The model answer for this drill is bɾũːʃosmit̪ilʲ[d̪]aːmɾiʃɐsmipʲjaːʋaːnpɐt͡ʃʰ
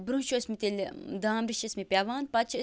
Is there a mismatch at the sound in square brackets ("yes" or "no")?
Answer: no